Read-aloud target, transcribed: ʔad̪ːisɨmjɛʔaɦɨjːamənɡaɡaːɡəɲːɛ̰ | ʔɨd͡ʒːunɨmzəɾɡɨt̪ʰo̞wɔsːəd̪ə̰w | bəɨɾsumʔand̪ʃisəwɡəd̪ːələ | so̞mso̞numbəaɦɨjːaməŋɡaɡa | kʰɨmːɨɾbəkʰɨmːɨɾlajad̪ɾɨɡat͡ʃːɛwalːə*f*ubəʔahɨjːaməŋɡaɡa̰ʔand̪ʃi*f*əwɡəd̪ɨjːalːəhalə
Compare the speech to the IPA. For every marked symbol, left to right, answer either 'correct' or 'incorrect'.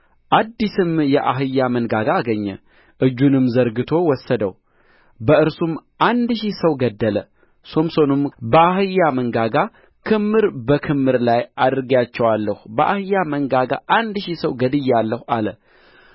incorrect: h, incorrect: s

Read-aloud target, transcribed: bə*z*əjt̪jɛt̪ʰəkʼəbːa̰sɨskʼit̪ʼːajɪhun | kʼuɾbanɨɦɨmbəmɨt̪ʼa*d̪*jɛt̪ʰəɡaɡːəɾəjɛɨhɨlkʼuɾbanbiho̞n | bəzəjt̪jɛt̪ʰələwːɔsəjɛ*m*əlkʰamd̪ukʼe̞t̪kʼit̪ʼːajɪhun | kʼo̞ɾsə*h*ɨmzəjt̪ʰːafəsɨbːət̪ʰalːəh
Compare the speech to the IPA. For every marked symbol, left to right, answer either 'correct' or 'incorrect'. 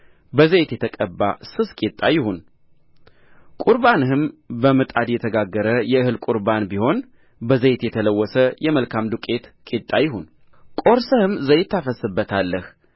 correct, correct, correct, correct

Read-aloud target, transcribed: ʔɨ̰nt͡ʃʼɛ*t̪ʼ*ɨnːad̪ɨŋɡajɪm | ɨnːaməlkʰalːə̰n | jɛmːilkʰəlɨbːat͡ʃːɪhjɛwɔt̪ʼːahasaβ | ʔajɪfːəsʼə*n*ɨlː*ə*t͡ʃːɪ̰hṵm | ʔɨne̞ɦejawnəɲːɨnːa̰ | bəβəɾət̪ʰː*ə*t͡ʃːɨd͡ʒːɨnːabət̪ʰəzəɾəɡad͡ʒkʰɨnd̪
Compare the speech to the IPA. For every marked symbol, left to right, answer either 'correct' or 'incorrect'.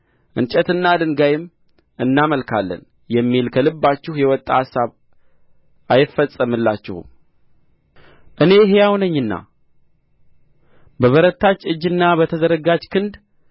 incorrect: t̪, incorrect: m, incorrect: a, incorrect: a

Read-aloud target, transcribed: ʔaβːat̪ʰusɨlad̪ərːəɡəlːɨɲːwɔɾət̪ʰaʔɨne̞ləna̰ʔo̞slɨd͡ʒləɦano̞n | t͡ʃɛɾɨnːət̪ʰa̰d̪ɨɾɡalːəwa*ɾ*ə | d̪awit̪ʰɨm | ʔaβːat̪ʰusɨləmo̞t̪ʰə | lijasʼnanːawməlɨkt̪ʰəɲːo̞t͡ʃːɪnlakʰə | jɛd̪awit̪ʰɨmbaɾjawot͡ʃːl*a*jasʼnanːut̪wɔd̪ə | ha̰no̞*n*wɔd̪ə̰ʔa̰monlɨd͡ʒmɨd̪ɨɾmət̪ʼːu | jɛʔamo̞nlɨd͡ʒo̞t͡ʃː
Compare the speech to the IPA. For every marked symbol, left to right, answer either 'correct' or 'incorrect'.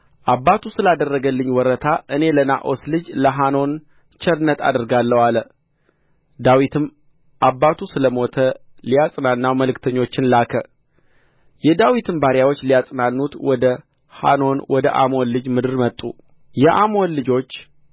incorrect: l, incorrect: i, correct

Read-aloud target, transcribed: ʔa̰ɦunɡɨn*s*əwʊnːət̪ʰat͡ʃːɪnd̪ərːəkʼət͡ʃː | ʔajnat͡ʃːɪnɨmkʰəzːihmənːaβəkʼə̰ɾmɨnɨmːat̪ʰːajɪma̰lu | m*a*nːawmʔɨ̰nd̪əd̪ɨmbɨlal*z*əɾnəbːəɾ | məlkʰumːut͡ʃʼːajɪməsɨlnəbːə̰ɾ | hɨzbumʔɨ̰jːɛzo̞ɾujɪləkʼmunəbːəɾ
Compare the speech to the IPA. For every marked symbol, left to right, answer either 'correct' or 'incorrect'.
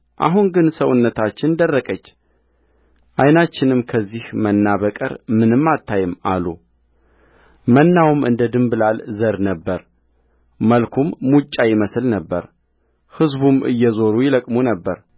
correct, incorrect: ə, correct

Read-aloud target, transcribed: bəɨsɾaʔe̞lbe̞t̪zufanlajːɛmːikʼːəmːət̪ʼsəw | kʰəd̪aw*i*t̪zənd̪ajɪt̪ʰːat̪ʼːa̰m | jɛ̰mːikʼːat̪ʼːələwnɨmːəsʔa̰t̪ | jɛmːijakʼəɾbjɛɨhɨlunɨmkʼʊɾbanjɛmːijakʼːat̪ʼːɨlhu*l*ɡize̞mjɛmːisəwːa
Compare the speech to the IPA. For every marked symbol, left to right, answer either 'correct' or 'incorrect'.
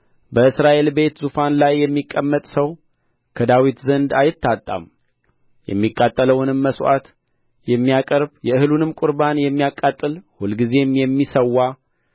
correct, correct

